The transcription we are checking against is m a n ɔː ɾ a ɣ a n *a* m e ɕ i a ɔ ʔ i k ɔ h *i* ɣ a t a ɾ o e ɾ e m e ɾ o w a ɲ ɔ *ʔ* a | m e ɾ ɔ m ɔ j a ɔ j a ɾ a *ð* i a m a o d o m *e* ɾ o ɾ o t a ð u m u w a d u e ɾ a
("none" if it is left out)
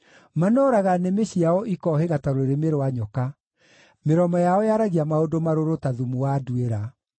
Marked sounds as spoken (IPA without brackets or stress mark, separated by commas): e, e, k, ɣ, a